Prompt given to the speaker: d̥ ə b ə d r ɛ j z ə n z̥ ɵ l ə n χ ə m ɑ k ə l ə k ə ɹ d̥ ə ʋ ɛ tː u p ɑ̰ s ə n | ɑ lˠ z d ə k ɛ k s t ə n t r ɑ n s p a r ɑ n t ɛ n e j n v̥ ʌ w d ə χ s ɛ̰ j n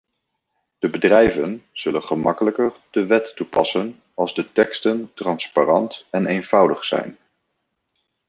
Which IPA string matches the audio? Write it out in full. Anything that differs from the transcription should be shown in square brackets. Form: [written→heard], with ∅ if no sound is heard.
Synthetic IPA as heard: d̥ ə b ə d r ɛ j [z→v] ə n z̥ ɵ l ə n χ ə m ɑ k ə l ə k ə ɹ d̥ ə ʋ ɛ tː u p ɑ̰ s ə n | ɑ lˠ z d ə [k→t] ɛ k s t ə n t r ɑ n s p a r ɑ n t ɛ n e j n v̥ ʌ w d ə χ s ɛ̰ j n